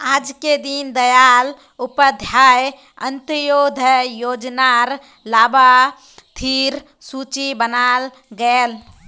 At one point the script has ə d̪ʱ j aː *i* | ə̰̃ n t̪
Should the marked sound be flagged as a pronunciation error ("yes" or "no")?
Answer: yes